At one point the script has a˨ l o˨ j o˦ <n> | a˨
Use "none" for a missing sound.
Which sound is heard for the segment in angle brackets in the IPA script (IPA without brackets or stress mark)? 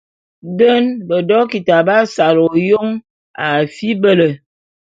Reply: ŋ